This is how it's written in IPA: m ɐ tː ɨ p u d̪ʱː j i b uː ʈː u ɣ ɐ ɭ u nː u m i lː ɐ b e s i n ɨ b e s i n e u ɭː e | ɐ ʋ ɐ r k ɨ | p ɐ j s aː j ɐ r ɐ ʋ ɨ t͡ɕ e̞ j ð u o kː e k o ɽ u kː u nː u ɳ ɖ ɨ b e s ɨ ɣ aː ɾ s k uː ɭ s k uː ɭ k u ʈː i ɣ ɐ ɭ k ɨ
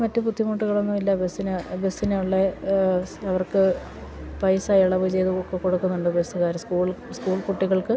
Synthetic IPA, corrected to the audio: m ɐ tː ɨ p u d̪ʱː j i m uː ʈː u ɣ ɐ ɭ o nː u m i lː ɐ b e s i n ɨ b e s i n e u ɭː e | ɐ ʋ ɐ r k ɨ | p ɐ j s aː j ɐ ɭ ɐ ʋ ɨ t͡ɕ e̞ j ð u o kː e k o ɽ u kː u nː u ɳ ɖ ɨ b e s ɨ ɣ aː ɾ s k uː ɭ s k uː ɭ k u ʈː i ɣ ɐ ɭ k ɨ

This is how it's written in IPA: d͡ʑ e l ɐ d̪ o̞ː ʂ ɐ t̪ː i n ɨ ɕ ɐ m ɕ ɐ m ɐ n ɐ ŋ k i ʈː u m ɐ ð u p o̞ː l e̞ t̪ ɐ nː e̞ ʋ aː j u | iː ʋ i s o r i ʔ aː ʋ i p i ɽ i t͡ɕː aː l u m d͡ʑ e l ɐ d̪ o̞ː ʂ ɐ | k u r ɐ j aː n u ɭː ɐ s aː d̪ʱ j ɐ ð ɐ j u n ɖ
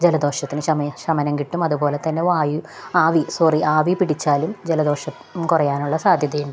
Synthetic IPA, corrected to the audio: d͡ʑ e l ɐ d̪ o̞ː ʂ ɐ t̪ː i n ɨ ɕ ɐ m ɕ ɐ m ɐ n ɐ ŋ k i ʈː u m ɐ ð u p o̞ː l e̞ t̪ ɐ nː e̞ ʋ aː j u | aː ʋ i s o r i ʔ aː ʋ i p i ɽ i t͡ɕː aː l u m d͡ʑ e l ɐ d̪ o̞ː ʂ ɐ | k u r ɐ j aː n u ɭː ɐ s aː d̪ʱ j ɐ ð ɐ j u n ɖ

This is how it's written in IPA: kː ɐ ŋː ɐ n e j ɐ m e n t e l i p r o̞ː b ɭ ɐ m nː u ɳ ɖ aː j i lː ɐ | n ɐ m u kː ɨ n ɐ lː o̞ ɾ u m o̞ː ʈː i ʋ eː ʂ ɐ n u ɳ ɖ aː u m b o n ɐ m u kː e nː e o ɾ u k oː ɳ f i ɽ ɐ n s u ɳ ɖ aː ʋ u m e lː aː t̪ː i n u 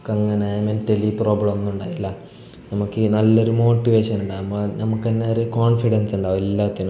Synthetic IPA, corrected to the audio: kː ɐ ŋː ɐ n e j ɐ m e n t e l i p r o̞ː b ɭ ɐ m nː u ɳ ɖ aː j i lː ɐ | n ɐ m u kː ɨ n ɐ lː o̞ ɾ u m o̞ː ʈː i ʋ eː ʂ ɐ n u ɳ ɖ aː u m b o n ɐ m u kː e nː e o ɾ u k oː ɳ f i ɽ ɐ n s u ɳ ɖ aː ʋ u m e lː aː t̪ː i n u

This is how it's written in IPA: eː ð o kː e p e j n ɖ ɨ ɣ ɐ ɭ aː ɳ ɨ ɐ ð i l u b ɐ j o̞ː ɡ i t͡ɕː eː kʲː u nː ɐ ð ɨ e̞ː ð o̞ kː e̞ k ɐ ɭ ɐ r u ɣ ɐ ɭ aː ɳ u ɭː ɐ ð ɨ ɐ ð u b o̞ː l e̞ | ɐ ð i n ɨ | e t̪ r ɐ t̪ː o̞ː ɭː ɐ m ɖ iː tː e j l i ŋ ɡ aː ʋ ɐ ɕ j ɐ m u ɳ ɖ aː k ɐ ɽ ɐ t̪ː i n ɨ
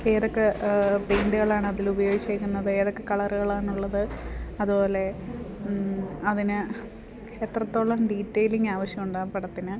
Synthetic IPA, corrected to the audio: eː ð o kː e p e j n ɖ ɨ ɣ ɐ ɭ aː ɳ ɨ ɐ ð i l u b ɐ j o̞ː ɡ i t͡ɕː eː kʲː u nː ɐ ð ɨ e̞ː ð o̞ kː e̞ k ɐ ɭ ɐ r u ɣ ɐ ɭ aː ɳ u ɭː ɐ ð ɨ ɐ ð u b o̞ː l e̞ | ɐ ð i n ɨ | e t̪ r ɐ t̪ː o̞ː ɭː ɐ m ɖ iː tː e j l i ŋ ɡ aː ʋ ɐ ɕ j ɐ m u ɳ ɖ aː p ɐ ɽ ɐ t̪ː i n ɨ

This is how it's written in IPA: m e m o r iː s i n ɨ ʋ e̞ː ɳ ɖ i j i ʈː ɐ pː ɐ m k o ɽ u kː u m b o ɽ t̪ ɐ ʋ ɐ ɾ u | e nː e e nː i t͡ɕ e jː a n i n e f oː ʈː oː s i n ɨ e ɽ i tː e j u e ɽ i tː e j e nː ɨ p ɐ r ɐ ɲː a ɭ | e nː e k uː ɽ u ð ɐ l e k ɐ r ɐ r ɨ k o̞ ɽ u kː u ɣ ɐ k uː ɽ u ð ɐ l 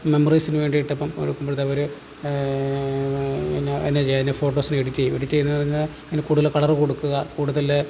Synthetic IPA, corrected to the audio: m e m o r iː s i n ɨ ʋ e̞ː ɳ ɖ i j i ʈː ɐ pː ɐ m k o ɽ u kː u m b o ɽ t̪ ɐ ʋ ɐ ɾ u | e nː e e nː e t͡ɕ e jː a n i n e f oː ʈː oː s i n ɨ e ɽ i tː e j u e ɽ i tː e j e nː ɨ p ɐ r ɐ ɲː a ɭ | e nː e k uː ɽ u ð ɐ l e k ɐ ɭ ɐ r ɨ k o̞ ɽ u kː u ɣ ɐ k uː ɽ u ð ɐ l

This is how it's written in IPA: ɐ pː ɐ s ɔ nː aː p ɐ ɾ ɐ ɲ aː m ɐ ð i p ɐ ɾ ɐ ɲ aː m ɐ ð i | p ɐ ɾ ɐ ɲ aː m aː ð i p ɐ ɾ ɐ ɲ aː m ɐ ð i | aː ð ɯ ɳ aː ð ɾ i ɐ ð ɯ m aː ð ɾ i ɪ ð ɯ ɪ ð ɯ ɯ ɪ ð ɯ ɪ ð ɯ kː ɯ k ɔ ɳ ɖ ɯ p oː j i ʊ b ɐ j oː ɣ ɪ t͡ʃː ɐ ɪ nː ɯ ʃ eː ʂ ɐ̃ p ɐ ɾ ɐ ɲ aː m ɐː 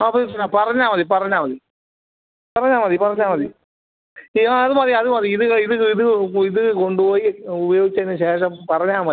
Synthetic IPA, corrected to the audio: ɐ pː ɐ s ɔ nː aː p ɐ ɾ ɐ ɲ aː m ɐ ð i p ɐ ɾ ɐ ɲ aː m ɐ ð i | p ɐ ɾ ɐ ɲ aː m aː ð i p ɐ ɾ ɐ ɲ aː m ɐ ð i | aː ð ɯ m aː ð ɾ i ɐ ð ɯ m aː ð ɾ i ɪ ð ɯ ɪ ð ɯ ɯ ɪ ð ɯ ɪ ð ɯ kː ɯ k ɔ ɳ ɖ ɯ p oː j i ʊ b ɐ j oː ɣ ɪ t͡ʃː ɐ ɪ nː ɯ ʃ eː ʂ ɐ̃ p ɐ ɾ ɐ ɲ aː m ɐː

